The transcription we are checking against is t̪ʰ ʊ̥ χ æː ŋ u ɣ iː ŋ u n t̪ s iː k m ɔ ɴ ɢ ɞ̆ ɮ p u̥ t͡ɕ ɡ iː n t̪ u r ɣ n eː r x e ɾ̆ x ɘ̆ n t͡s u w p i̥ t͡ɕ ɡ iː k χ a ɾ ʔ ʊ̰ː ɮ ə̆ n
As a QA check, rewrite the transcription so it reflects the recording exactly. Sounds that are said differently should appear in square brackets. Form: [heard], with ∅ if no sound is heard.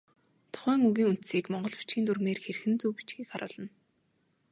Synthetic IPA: t̪ʰ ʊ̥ χ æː ŋ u ɣ iː ŋ u n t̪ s iː k m ɔ ɴ ɢ ɞ̆ ɮ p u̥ t͡ɕ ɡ iː n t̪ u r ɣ [m] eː r x e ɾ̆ x ɘ̆ n t͡s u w p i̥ t͡ɕ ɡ iː k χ a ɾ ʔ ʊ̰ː ɮ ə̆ n

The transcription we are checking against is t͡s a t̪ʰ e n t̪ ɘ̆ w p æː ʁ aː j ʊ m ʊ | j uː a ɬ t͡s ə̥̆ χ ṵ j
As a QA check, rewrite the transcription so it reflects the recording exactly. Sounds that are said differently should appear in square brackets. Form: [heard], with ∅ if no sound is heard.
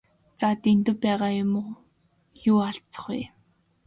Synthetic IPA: t͡s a [t̪] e n t̪ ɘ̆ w p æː ʁ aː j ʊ m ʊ | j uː a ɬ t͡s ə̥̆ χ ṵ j

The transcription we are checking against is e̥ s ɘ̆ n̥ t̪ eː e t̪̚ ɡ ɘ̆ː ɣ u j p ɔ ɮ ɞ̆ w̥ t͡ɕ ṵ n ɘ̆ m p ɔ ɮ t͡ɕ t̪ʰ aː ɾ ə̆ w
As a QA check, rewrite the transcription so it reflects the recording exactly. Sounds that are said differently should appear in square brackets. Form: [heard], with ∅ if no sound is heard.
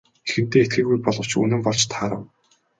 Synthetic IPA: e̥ [x] ɘ̆ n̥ t̪ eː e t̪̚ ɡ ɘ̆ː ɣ u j p ɔ ɮ ɞ̆ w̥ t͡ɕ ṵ n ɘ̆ m p ɔ ɮ t͡ɕ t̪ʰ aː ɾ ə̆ w

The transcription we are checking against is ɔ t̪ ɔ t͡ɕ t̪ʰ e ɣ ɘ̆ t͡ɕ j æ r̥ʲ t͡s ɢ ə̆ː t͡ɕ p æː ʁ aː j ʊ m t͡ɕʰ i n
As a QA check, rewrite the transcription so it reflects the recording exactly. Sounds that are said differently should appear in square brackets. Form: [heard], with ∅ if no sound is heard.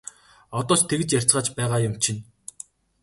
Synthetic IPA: ɔ t̪ [ɔː] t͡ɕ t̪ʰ e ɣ ɘ̆ t͡ɕ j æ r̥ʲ t͡s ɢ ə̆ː t͡ɕ p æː ʁ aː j ʊ m t͡ɕʰ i n

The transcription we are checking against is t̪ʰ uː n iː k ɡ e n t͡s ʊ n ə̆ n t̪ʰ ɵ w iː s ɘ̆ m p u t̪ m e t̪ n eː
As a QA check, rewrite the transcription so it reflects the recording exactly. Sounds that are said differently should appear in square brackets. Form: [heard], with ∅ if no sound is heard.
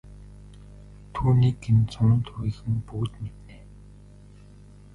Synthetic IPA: t̪ʰ uː n iː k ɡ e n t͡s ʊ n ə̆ n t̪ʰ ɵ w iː [x] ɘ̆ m p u t̪ m e t̪ n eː

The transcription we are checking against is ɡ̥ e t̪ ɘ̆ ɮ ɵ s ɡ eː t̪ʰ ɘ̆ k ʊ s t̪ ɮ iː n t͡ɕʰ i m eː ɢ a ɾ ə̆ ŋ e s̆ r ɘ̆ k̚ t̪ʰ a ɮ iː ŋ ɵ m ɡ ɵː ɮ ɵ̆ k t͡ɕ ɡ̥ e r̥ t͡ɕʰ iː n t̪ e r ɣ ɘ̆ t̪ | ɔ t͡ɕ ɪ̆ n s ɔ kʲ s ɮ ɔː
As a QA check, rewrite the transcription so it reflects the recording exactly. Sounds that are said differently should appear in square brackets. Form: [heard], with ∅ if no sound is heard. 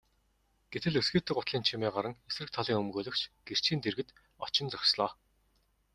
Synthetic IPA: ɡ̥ e t̪ ɘ̆ ɮ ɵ s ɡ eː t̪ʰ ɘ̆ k ʊ [∅] t̪ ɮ iː n t͡ɕʰ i m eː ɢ a ɾ ə̆ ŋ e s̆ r ɘ̆ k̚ t̪ʰ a ɮ iː ŋ ɵ m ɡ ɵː ɮ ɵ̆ k t͡ɕ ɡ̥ e r̥ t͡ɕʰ iː n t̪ e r ɣ ɘ̆ t̪ | ɔ t͡ɕ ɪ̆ n [t͡s] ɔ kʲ s ɮ ɔː

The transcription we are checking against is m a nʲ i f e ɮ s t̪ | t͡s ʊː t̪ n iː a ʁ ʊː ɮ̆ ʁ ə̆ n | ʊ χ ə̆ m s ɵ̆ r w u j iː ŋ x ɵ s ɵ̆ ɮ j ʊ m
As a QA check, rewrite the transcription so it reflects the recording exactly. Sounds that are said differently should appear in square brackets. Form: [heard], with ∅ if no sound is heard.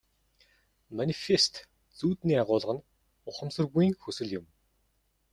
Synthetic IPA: m a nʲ i f e [∅] s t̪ | t͡s [uː] t̪ n iː a ʁ ʊː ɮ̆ ʁ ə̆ n | ʊ χ ə̆ m s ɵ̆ r [ɣ] u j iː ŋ x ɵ s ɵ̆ ɮ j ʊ m

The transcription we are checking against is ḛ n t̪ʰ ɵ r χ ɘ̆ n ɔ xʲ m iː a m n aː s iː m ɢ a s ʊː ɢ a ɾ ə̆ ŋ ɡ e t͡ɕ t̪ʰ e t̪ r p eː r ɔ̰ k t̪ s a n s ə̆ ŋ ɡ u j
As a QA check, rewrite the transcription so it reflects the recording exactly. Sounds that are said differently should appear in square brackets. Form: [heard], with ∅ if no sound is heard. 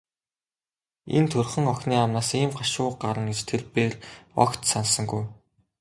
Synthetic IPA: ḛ n t̪ʰ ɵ r χ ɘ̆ [ŋ] ɔ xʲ [n] iː a m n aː s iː m ɢ a [ʃ] ʊː ɢ a ɾ ə̆ ŋ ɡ e t͡ɕ t̪ʰ e [∅] r p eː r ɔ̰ k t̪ s a n s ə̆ ŋ ɡ u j

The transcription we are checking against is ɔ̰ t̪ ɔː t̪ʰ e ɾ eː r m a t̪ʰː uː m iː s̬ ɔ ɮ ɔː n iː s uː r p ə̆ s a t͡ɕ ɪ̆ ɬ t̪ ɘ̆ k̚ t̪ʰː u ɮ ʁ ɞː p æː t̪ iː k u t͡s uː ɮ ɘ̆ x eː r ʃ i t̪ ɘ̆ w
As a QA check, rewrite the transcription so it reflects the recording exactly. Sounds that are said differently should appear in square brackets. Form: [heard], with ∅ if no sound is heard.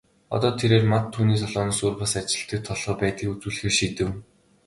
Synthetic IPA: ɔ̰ t̪ ɔː t̪ʰ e ɾ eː r m a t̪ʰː uː [n] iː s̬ ɔ ɮ ɔː n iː s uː r p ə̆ s a t͡ɕ ɪ̆ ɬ t̪ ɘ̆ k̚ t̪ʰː [ɔ] ɮ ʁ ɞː p æː t̪ iː k u t͡s uː ɮ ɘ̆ x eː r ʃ i t̪ ɘ̆ w

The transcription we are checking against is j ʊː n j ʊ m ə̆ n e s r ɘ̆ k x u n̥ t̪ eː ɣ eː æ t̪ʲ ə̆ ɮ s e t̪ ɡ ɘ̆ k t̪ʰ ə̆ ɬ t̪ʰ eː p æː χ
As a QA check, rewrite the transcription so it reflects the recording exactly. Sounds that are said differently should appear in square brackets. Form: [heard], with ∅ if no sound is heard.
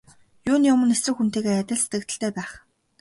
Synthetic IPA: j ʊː n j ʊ m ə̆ n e s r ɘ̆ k x u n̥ t̪ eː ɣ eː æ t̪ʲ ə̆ ɮ s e t̪ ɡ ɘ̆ k [t̪] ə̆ ɬ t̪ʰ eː p æː χ

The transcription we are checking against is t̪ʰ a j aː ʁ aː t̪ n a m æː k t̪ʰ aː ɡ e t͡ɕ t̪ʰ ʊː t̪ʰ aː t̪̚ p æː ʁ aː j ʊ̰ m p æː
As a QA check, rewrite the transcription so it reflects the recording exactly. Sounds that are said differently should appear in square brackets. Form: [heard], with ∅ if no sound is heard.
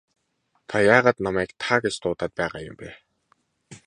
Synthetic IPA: t̪ʰ a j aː ʁ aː t̪ n a m æː k t̪ʰ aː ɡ e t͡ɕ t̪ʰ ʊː [t̪] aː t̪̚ p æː ʁ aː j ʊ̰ m p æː

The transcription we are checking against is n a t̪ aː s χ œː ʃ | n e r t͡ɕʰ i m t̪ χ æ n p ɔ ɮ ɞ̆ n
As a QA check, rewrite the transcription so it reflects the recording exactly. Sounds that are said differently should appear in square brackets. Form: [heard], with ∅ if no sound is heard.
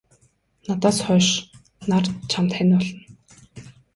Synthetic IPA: n a t̪ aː s χ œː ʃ | n [a] r t͡ɕʰ [a] m t̪ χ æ n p ɔ ɮ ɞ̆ n

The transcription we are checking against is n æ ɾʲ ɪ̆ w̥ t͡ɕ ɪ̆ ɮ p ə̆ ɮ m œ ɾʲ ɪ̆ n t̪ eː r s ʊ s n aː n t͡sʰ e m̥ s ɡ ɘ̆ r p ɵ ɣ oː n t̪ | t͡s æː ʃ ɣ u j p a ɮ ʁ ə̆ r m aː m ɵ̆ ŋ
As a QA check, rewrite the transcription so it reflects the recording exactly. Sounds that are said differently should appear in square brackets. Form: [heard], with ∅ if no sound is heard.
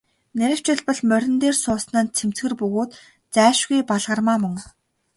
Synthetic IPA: n æ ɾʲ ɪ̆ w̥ t͡ɕ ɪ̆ ɮ p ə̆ ɮ m œ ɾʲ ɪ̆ n t̪ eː r s [ʊː] s n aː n t͡sʰ e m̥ [t͡s] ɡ ɘ̆ r p ɵ ɣ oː [∅] t̪ | t͡s æː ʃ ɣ u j p a ɮ ʁ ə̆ r m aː m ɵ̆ ŋ

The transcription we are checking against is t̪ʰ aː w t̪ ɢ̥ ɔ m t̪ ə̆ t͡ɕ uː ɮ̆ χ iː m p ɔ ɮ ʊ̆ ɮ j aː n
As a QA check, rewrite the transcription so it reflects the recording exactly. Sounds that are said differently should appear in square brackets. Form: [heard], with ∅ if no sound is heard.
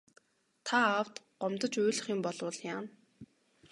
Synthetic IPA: t̪ʰ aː w t̪ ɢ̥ ɔ m t̪ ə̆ t͡ɕ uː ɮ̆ χ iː m p ɔ ɮ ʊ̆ ɮ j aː n

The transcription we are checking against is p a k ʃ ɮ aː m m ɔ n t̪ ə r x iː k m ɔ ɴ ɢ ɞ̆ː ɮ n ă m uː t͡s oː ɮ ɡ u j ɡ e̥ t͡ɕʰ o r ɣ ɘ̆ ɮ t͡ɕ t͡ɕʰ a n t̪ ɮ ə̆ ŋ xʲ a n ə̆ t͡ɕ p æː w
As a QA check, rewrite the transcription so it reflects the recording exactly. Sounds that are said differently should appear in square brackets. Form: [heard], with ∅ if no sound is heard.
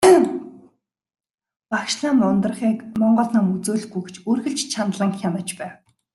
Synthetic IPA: p a k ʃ ɮ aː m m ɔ n t̪ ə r [χ] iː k m ɔ ɴ ɢ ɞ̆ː ɮ n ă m [u] t͡s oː ɮ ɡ u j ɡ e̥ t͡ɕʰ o r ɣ ɘ̆ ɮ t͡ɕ t͡ɕʰ a n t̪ ɮ ə̆ ŋ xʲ a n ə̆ t͡ɕ p æː w

